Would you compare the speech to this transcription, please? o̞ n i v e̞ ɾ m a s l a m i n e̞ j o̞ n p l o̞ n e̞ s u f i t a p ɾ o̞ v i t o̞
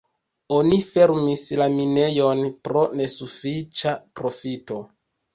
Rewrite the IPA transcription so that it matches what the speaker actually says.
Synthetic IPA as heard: o̞ n i f e̞ ɾ m i s l a m i n e̞ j o̞ n p ɾ o̞ n e̞ s u f i t͡ʃ a p ɾ o̞ f i t o̞